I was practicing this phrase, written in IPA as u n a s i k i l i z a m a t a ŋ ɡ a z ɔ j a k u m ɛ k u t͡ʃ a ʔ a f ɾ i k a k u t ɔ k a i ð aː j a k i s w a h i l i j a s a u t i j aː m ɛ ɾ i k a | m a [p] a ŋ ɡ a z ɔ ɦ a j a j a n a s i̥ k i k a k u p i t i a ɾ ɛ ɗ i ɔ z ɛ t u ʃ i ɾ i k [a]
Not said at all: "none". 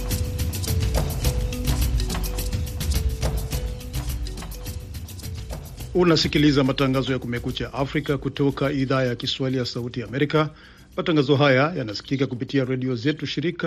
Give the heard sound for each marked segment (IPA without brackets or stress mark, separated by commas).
t, a